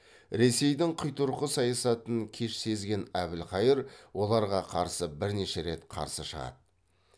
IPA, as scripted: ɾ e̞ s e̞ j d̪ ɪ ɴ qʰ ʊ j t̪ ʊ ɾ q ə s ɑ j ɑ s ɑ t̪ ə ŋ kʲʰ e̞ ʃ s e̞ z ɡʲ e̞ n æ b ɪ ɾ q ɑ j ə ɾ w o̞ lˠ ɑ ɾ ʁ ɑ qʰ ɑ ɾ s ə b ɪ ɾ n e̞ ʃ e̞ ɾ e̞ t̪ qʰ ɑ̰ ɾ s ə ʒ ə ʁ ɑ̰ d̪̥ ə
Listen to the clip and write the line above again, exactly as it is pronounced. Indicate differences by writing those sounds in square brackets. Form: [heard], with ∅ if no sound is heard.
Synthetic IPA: ɾ e̞ s e̞ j d̪ ɪ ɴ qʰ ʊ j t̪ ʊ ɾ q ə s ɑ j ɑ s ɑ t̪ ə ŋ kʲʰ e̞ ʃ s e̞ z ɡʲ e̞ n æ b ɪ [l] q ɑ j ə ɾ w o̞ lˠ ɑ ɾ ʁ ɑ qʰ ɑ ɾ s ə b ɪ ɾ n e̞ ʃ e̞ ɾ e̞ t̪ qʰ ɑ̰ ɾ s ə [ʃ] ə ʁ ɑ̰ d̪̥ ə